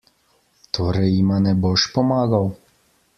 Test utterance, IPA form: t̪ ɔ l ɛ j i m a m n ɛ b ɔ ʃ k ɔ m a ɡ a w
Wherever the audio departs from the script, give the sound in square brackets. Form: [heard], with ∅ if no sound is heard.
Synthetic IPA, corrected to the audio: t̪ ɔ [ɾ] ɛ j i m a [∅] n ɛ b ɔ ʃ [p] ɔ m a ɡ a w

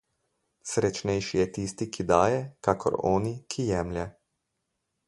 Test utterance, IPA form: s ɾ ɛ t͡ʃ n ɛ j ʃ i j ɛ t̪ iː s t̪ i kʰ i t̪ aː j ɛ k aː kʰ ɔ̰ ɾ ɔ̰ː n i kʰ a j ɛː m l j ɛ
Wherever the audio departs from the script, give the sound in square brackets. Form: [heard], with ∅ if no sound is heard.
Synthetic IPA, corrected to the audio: s ɾ ɛ t͡ʃ n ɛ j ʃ i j ɛ t̪ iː s t̪ i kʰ i [d̪] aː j ɛ k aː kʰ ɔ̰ ɾ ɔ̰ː n i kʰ [i] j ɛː m l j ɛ

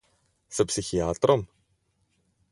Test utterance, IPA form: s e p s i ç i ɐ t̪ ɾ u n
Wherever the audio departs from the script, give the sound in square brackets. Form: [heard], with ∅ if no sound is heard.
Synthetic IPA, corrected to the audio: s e p s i ç i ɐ t̪ ɾ [o] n

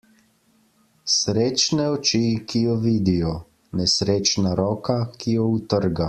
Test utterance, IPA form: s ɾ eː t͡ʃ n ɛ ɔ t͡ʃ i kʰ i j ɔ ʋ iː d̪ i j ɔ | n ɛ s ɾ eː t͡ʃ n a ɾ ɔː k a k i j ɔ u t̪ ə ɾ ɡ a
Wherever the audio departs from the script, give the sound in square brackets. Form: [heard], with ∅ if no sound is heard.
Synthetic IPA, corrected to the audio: s ɾ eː t͡ʃ n ɛ ɔ t͡ʃ i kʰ i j ɔ ʋ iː d̪ i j ɔ | n ɛ s ɾ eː t͡ʃ n a ɾ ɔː k a k i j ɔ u t̪ ə ɾ ɡ a

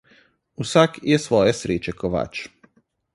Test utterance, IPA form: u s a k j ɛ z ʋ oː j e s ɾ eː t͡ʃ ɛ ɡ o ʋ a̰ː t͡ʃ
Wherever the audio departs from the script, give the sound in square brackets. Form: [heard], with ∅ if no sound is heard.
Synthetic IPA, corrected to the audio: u s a k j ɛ [s] ʋ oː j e s ɾ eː t͡ʃ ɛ [k] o ʋ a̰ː t͡ʃ

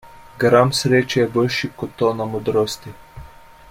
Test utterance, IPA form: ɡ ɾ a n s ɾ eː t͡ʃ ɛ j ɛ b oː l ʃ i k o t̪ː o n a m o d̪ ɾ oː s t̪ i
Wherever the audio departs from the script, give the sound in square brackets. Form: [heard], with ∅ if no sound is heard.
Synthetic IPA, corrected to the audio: ɡ ɾ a [m] s ɾ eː t͡ʃ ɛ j ɛ b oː l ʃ i k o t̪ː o n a m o d̪ ɾ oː s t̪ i

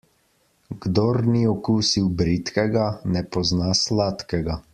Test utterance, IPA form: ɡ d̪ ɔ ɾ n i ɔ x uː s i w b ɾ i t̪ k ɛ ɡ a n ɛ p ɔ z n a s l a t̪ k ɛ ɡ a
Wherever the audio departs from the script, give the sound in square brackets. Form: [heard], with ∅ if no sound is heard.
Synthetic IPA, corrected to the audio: ɡ d̪ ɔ ɾ n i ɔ [k] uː s i w b ɾ i t̪ k ɛ ɡ a n ɛ p ɔ z n a s l a t̪ k ɛ ɡ a

